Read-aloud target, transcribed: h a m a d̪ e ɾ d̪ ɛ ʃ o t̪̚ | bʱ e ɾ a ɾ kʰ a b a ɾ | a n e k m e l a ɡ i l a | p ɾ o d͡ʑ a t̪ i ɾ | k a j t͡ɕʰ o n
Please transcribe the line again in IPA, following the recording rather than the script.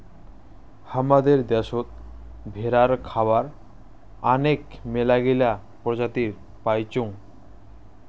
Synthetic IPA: h a m a d̪ e ɾ d̪ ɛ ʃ o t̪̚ | bʱ e ɾ a ɾ kʰ a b a ɾ | a n e k m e l a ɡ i l a | p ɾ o d͡ʑ a t̪ i ɾ | p a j t͡ɕ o ŋ